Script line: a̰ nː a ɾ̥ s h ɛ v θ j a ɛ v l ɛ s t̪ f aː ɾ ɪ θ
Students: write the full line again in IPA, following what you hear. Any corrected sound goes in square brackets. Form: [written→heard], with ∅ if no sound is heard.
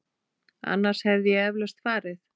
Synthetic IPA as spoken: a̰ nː a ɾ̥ s h ɛ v [θ→ð] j [a→ɛ] ɛ v l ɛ s t̪ f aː ɾ ɪ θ